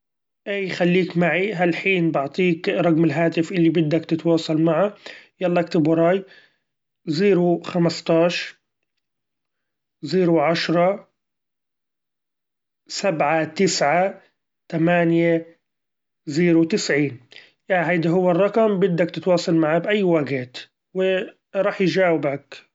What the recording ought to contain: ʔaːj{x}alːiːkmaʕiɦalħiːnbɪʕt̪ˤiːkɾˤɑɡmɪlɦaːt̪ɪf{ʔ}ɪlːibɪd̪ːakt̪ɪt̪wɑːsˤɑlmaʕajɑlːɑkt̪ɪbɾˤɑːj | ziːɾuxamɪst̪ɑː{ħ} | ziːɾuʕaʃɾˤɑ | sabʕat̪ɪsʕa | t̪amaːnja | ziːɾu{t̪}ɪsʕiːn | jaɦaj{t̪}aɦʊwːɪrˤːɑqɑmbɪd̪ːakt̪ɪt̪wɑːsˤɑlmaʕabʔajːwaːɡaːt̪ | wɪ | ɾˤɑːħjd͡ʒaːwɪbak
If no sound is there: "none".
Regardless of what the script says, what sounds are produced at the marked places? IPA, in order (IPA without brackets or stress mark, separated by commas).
x, ʔ, ʃ, t̪, d̪